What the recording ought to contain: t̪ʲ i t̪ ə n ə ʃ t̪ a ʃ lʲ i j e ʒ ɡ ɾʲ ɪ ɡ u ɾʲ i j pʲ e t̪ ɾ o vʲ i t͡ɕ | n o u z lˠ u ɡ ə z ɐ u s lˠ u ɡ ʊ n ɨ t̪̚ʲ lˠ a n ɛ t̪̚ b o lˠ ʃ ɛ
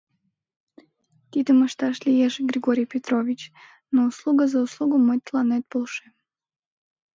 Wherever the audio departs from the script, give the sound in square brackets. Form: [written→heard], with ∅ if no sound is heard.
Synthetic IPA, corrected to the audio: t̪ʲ i t̪ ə [n→m] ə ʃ t̪ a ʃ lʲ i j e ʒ ɡ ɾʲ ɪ ɡ [u→o] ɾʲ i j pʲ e t̪ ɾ o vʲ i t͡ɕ | n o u [z→s] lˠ u ɡ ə z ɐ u s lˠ u ɡ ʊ [n→m] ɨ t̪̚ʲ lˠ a n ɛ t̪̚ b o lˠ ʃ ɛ